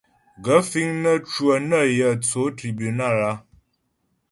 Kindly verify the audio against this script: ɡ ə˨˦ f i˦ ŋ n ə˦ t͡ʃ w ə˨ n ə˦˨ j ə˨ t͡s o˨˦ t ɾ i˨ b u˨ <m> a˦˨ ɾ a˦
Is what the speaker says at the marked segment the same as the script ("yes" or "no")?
no